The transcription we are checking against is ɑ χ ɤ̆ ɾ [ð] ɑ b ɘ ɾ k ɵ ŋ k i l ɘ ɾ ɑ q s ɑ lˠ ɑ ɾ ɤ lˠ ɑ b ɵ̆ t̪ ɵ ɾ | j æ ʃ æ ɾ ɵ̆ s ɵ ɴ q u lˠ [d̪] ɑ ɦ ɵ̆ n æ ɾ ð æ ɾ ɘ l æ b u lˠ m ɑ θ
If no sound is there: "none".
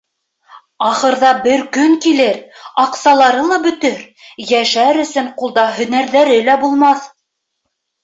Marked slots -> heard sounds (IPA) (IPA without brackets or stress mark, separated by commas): ð, d̪